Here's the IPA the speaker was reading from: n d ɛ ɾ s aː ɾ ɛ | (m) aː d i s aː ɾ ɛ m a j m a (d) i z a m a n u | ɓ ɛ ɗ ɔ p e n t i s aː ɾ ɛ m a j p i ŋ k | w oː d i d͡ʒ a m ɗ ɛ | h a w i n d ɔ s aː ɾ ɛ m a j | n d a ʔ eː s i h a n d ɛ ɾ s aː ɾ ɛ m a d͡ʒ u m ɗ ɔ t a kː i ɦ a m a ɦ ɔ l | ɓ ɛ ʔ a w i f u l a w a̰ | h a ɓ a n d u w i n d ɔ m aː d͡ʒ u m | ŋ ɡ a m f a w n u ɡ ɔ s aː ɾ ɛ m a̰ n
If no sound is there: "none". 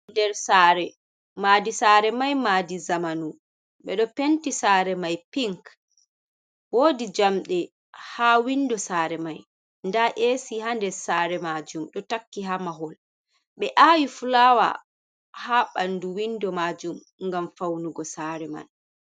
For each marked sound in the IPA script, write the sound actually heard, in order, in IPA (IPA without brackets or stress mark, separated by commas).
m, d